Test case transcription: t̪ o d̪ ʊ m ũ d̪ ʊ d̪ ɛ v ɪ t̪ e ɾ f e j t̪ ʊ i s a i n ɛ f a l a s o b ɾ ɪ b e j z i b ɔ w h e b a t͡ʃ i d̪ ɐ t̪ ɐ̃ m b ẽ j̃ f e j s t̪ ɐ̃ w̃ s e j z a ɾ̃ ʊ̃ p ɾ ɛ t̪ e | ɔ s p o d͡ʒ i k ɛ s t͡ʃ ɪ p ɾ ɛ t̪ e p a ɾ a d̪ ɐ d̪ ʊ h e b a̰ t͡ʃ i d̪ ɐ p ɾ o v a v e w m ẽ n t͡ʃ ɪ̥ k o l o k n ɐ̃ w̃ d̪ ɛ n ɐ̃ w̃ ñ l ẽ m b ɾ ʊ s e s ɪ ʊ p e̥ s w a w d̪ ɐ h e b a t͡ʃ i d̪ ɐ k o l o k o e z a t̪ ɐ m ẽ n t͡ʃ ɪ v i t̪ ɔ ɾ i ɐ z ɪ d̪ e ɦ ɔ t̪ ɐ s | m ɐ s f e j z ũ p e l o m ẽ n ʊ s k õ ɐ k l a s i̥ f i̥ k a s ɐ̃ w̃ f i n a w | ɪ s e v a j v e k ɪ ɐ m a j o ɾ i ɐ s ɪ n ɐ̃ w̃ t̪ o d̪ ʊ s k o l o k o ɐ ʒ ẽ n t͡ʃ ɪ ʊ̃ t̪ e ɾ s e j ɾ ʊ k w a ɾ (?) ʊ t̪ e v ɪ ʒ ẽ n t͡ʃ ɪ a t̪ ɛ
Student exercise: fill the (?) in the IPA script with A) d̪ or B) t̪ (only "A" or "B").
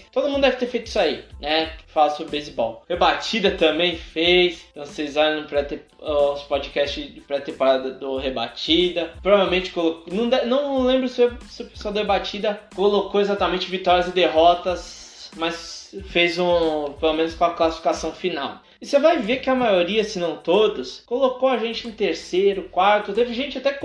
B